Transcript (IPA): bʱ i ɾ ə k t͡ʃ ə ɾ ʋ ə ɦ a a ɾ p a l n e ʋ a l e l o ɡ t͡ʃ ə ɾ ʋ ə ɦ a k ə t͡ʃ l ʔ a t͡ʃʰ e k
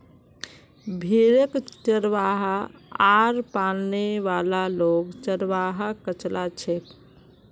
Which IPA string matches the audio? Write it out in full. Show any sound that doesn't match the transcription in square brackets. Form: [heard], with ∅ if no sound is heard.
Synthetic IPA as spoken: bʱ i ɾ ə k t͡ʃ ə ɾ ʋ [a] ɦ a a ɾ p a l n e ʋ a l [a] l o ɡ t͡ʃ ə ɾ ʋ [a] ɦ a k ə t͡ʃ l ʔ a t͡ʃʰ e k